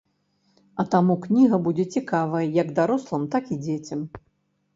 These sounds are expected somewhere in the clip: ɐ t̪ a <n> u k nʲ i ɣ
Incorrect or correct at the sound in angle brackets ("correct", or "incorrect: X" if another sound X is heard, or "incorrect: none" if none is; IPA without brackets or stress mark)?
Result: incorrect: m